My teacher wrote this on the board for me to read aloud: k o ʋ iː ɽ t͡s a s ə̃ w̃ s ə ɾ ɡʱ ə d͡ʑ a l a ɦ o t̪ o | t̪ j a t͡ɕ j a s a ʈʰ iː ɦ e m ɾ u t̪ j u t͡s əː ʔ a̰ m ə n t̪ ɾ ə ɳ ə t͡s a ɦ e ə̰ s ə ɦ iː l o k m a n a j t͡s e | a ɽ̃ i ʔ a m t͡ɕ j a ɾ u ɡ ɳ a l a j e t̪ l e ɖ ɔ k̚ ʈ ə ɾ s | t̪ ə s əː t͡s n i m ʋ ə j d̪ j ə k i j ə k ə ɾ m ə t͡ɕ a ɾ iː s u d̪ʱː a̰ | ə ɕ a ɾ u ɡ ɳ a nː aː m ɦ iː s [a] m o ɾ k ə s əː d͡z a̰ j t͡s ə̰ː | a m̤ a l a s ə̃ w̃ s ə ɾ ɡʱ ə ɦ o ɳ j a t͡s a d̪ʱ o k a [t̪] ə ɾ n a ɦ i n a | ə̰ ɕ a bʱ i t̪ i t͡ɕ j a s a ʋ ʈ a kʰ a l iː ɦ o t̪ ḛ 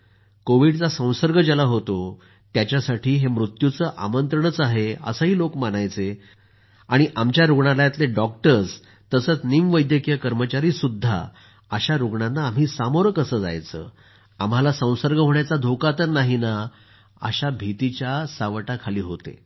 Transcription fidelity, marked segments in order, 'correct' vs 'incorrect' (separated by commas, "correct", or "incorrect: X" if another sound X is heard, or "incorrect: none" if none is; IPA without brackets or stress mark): correct, correct